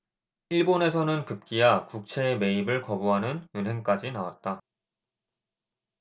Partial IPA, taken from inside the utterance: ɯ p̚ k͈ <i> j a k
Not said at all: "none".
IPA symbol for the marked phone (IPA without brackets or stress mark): i